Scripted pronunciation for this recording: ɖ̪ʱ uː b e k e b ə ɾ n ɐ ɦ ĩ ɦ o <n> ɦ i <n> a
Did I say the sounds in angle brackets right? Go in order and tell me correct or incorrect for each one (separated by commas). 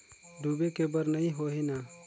incorrect, correct